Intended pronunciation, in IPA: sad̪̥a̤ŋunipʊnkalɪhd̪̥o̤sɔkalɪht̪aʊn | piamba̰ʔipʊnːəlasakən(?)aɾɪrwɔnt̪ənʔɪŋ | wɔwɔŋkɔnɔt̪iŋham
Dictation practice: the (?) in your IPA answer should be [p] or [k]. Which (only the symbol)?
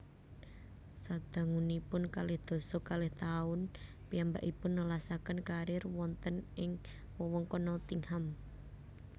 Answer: k